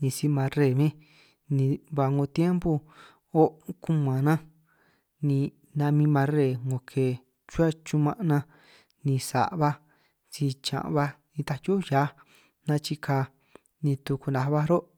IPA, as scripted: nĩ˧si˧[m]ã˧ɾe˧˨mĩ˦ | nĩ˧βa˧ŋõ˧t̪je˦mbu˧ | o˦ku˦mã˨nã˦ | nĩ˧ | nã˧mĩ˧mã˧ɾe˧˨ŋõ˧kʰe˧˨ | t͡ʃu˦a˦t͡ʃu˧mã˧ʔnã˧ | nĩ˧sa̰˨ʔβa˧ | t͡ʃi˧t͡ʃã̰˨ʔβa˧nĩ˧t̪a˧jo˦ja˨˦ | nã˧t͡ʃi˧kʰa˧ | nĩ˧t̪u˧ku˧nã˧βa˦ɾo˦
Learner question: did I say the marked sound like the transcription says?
yes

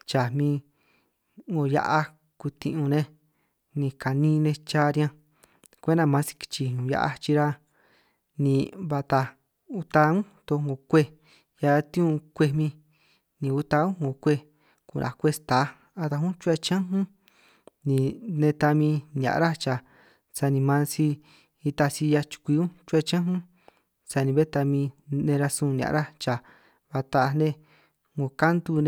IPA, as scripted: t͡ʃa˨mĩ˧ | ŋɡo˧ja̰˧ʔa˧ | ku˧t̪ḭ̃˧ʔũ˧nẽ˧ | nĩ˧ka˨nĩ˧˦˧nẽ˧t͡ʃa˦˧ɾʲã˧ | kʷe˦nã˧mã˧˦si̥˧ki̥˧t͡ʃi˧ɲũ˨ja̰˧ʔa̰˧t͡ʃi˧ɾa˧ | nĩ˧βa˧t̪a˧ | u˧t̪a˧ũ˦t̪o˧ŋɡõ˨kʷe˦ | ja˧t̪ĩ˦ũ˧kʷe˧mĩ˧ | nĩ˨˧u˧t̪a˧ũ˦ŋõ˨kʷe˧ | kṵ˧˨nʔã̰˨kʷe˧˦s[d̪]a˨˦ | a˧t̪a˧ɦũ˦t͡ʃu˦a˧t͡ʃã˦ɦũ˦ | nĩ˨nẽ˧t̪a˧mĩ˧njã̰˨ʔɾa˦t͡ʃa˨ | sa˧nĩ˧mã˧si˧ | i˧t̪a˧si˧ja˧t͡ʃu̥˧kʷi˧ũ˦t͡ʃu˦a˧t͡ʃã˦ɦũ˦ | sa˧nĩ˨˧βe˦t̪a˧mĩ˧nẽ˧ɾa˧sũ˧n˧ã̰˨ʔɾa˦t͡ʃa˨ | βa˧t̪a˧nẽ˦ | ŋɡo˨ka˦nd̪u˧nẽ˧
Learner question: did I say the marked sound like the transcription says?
no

